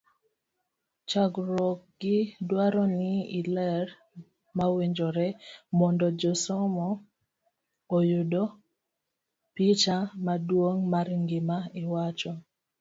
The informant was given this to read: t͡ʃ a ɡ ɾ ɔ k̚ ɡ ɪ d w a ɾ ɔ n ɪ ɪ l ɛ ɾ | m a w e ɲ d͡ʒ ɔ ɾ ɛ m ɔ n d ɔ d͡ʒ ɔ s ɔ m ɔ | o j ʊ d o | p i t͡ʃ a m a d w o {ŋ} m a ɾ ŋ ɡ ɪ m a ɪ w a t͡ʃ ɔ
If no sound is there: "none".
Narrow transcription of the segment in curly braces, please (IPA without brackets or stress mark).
ŋ